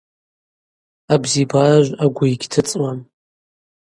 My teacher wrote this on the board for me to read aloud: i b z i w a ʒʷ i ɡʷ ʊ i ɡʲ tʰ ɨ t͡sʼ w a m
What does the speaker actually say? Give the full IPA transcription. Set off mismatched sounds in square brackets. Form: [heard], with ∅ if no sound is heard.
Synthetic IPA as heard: [a] b z i [b] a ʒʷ [a] ɡʷ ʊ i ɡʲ tʰ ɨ t͡sʼ w a m